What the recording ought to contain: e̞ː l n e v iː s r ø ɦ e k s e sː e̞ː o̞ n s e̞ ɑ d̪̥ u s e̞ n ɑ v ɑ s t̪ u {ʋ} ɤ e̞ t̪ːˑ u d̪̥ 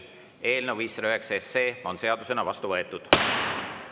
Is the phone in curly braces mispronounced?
yes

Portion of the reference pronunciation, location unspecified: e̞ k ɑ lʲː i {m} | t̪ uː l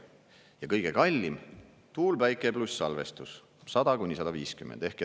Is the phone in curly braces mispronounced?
no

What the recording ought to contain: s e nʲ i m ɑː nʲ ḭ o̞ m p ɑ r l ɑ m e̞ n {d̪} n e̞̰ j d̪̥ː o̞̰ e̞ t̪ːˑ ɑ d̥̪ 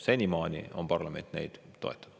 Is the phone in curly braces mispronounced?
yes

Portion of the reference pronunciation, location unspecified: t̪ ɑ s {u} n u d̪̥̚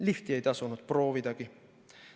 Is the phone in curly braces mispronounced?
no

